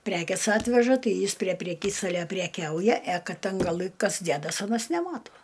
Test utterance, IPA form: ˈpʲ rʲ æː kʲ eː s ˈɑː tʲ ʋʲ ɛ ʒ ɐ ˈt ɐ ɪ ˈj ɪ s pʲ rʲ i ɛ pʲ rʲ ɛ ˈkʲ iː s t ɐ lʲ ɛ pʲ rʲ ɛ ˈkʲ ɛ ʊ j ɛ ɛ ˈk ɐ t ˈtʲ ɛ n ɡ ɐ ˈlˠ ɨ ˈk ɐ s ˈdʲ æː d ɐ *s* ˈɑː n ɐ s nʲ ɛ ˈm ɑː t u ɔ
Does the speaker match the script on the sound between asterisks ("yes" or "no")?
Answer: yes